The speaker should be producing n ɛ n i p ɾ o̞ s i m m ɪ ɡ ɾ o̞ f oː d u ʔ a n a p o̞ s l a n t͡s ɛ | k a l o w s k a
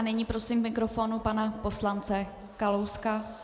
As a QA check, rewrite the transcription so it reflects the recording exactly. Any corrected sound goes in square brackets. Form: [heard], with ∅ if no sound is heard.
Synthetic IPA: n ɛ [ɲ] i p ɾ o̞ s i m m ɪ [k] ɾ o̞ f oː [n] u [p] a n a p o̞ s l a n t͡s ɛ | k a l o w s k a